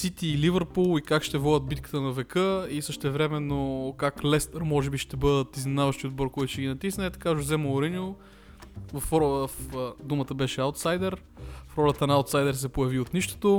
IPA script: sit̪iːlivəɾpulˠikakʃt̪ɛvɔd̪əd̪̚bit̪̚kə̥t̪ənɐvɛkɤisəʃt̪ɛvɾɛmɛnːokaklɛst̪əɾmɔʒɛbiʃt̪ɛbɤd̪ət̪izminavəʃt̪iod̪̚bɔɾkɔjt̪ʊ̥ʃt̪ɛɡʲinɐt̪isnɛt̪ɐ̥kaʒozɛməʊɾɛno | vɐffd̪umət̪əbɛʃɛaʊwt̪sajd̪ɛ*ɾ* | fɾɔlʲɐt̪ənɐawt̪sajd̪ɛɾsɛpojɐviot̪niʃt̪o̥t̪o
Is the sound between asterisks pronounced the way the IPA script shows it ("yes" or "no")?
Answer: yes